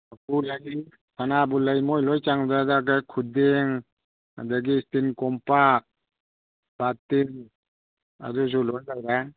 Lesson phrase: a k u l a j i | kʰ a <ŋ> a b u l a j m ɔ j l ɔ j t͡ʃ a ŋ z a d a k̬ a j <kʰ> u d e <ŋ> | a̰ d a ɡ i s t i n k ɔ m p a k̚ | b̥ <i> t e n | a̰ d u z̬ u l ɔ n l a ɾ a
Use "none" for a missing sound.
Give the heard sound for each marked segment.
n, kʰ, ŋ, a

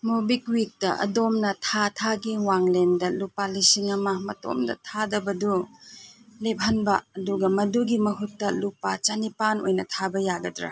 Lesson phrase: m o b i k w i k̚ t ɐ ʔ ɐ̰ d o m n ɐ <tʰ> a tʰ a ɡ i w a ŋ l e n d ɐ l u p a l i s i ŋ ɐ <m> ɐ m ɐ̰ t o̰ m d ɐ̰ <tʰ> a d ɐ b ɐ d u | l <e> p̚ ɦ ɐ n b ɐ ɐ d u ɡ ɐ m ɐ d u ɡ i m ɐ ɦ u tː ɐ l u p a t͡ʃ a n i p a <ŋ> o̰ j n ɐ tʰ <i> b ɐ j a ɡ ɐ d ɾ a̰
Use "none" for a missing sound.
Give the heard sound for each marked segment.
tʰ, m, tʰ, e, n, a

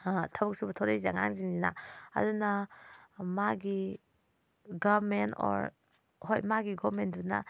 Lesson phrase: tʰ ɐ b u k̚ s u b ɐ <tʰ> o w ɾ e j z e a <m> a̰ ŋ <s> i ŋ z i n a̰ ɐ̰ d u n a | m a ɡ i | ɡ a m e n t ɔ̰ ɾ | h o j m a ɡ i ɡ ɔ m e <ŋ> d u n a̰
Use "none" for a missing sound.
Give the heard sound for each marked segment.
tʰ, ŋ, z, n

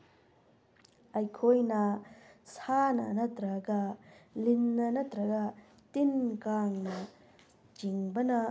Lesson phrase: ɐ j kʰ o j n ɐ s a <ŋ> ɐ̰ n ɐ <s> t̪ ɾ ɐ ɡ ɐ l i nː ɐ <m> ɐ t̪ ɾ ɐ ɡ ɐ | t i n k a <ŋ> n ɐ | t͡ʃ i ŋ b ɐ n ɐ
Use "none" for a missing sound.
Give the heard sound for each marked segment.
n, none, n, ŋ

